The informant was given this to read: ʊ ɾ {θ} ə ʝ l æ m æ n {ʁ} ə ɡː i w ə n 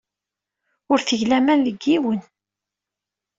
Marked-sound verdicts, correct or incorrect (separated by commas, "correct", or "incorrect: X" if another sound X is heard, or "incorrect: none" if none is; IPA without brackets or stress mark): correct, incorrect: ð